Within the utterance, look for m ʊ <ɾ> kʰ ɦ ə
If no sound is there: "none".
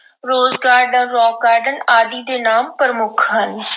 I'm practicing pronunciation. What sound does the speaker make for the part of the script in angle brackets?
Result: none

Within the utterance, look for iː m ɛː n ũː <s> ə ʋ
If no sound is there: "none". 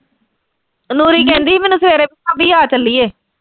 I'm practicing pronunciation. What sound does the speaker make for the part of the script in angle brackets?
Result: s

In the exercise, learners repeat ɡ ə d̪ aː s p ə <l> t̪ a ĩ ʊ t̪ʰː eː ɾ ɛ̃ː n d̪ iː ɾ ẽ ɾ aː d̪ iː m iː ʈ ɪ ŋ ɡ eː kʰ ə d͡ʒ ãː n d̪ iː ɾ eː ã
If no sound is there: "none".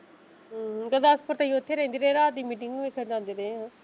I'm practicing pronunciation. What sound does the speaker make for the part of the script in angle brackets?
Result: ɾ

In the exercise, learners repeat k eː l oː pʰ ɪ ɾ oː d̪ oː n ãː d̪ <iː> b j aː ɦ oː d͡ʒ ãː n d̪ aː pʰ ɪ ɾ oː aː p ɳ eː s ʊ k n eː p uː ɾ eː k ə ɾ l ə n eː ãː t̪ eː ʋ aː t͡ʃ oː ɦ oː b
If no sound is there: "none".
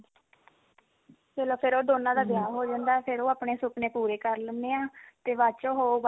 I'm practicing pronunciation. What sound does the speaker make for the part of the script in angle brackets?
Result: aː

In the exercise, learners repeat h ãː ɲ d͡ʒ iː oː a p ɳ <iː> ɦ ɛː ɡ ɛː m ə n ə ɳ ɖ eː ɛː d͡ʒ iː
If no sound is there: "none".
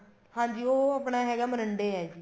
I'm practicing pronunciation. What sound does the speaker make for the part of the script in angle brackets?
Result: aː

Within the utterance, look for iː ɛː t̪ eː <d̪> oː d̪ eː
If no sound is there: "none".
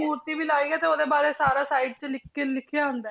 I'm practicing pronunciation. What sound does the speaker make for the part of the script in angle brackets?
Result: none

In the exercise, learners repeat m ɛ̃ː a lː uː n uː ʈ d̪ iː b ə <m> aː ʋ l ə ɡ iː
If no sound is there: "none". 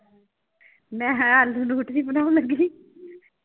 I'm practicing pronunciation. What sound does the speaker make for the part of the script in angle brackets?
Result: n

